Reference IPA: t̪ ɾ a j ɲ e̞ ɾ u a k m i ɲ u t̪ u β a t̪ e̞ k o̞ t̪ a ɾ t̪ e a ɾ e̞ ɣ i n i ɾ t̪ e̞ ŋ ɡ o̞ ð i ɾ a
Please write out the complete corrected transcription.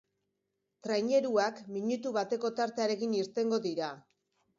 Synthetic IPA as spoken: t̪ ɾ a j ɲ e̞ ɾ u a k m i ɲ u t̪ u β a t̪ e̞ k o̞ t̪ a ɾ t̪ e a ɾ e̞ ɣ i n i ɾ t̪ e̞ ŋ ɡ o̞ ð i ɾ a

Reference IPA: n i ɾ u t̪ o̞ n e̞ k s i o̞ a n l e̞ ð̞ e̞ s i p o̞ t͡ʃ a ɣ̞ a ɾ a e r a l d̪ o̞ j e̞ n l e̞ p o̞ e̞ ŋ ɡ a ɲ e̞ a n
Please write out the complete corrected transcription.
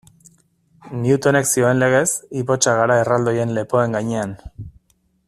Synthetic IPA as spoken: n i u t̪ o̞ n e̞ k s i o̞ e n l e̞ ɣ̞ e̞ s i p o̞ t͡ʃ a ɣ̞ a ɾ a e r a l d̪ o̞ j e̞ n l e̞ p o̞ e̞ ŋ ɡ a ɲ e̞ a n

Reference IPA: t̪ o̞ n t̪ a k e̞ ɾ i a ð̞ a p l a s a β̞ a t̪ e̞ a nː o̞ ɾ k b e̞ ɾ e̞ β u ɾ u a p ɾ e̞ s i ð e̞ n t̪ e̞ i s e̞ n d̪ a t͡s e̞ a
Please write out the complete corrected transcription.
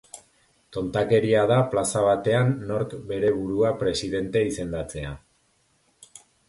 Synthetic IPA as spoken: t̪ o̞ n t̪ a k e̞ ɾ i a ð̞ a p l a s a β̞ a t̪ e̞ a nː o̞ ɾ k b e̞ ɾ e̞ β u ɾ u a p ɾ e̞ s i ð e̞ n t̪ e̞ i s e̞ n d̪ a t͡s e̞ a

